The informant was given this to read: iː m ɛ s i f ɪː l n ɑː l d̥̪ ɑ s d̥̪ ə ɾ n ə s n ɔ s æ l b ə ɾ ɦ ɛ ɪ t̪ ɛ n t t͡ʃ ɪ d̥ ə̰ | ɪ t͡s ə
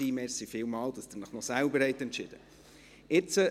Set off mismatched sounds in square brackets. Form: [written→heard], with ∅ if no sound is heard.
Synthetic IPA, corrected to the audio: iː m ɛ s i f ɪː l [n→m] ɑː l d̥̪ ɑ s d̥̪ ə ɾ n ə [s→χ] n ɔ s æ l b ə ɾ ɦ ɛ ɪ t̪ ɛ n t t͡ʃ ɪ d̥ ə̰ | ɪ t͡s ə